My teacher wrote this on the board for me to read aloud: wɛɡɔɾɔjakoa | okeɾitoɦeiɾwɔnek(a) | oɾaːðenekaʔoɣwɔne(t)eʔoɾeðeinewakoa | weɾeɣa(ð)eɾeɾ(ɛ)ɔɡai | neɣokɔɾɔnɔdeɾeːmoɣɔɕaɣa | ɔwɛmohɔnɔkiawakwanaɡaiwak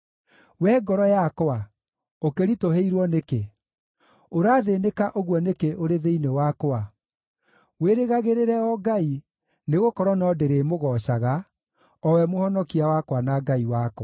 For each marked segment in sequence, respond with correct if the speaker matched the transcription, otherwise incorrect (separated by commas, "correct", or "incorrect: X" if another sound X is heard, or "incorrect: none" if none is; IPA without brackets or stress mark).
incorrect: e, incorrect: k, incorrect: ɣ, correct